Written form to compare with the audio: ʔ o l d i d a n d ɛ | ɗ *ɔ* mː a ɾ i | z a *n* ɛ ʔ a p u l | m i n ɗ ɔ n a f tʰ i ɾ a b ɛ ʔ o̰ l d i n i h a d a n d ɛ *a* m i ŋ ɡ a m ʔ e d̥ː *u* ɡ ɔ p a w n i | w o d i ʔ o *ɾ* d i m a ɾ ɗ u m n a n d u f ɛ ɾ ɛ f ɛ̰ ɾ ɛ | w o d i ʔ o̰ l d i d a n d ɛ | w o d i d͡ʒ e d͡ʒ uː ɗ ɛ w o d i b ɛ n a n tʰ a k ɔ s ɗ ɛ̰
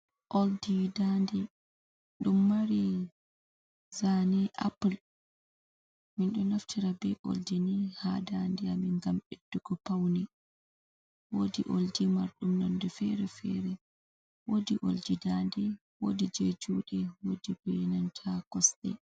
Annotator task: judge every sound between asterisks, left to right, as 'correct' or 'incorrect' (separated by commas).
incorrect, correct, correct, correct, incorrect